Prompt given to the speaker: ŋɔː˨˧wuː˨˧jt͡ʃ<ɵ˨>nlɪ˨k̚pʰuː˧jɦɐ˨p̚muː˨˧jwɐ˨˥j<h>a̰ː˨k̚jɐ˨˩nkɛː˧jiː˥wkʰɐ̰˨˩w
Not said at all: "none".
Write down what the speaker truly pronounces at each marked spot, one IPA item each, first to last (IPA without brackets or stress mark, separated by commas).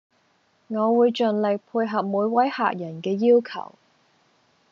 ɵ˨, h